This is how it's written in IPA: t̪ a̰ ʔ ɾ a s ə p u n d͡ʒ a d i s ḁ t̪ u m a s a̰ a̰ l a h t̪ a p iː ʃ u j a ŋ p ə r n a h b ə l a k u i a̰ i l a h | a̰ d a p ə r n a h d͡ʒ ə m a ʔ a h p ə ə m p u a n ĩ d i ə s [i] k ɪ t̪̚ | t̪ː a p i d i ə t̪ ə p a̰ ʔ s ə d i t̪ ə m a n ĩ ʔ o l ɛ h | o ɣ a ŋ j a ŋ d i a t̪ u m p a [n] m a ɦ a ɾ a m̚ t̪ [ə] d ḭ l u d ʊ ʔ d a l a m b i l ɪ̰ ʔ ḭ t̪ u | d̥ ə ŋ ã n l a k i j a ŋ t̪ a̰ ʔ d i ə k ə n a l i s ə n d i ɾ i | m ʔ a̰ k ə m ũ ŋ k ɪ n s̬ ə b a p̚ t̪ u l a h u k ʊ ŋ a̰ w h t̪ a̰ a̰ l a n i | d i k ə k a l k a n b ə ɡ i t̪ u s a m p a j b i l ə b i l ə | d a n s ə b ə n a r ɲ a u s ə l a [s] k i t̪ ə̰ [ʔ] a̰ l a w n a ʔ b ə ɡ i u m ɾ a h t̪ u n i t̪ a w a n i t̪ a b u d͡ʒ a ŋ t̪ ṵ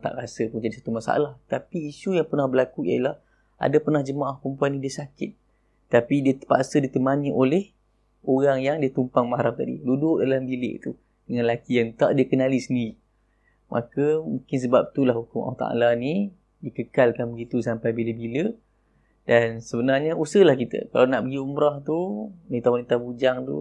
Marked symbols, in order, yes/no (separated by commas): no, no, no, no, no